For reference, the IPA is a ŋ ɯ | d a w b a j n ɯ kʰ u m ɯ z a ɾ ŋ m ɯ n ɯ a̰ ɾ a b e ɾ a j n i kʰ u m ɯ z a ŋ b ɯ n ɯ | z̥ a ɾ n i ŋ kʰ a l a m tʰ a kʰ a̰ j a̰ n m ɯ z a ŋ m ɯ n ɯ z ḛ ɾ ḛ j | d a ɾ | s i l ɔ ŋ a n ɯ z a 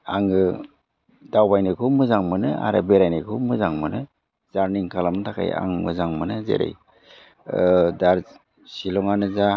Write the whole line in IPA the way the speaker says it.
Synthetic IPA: a ŋ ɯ | d a w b a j n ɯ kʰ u m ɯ z a ŋ m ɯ n ɯ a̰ ɾ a b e ɾ a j n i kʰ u m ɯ z a ŋ m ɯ n ɯ | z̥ a ɾ n i ŋ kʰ a l a m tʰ a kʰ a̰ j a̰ ŋ m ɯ z a ŋ m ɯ n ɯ z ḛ ɾ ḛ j | d a ɾ | s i l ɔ ŋ a n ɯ z a